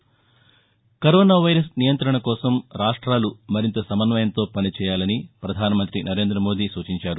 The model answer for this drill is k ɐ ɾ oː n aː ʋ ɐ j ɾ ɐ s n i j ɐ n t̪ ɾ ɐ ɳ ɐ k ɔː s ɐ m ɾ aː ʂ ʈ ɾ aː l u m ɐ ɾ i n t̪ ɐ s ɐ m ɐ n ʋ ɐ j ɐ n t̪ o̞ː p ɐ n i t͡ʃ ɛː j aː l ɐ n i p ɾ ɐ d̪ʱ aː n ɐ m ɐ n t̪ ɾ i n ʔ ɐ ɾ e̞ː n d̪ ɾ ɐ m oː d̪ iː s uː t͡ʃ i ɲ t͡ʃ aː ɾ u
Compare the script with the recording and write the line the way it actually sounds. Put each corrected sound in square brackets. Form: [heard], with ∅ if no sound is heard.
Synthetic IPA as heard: k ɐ ɾ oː n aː ʋ ɐ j ɾ ɐ s n i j ɐ n t̪ ɾ ɐ ɳ ɐ k ɔː s ɐ m ɾ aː ʂ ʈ ɾ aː l u m ɐ ɾ i n t̪ ɐ s ɐ m ɐ n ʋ ɐ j ɐ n t̪ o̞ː p ɐ n i t͡ʃ ɛː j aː l ɐ n i p ɾ ɐ d̪ʱ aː n ɐ m ɐ n t̪ ɾ i n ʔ ɐ ɾ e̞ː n d̪ ɾ ɐ m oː d̪ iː s uː t͡ʃ i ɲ t͡ʃ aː ɾ u